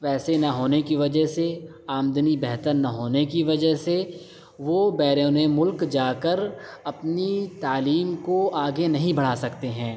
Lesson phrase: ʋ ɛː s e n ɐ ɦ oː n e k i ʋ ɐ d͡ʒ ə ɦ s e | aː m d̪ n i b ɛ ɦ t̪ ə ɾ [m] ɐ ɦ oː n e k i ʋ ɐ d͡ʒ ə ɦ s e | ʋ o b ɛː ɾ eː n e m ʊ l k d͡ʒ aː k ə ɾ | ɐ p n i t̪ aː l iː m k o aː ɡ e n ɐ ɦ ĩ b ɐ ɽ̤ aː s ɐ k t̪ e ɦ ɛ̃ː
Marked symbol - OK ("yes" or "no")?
no